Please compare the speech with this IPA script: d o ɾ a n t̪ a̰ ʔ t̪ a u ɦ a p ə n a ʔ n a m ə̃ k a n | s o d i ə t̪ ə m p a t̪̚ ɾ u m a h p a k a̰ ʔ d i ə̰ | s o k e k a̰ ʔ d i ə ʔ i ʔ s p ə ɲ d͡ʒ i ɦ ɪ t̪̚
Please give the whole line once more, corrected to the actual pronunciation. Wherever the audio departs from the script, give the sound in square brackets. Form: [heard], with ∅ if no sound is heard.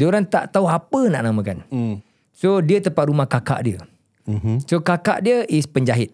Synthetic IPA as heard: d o ɾ a n t̪ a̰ ʔ t̪ a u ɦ a p ə n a ʔ n a m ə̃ k a n | s o d i ə t̪ ə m p a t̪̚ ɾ u m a h [k] a k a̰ ʔ d i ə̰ | s o k [a] k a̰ ʔ d i ə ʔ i [∅] s p ə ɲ d͡ʒ [a] ɦ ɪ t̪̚